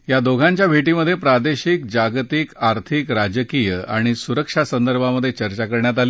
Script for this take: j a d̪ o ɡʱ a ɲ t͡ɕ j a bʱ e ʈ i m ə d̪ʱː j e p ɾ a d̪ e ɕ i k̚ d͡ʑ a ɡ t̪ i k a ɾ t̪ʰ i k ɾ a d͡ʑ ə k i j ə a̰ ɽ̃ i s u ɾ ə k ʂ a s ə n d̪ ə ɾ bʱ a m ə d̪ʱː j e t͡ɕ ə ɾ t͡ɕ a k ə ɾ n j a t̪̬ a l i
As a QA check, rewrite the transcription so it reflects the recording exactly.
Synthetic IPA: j a d̪ o ɡʱ a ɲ t͡ɕ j a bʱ e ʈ i m ə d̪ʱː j e p ɾ a d̪ e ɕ i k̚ d͡ʑ a ɡ t̪ i k a ɾ t̪ʰ i k ɾ a d͡ʑ ə k i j ə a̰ ɽ̃ i s u ɾ ə k ʂ a s ə n d̪ ə ɾ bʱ a m ə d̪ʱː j e t͡ɕ ə ɾ t͡ɕ a k ə ɾ ɳ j a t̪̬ a l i